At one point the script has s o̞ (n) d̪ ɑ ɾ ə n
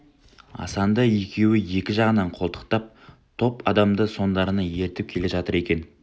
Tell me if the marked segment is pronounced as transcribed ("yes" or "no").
yes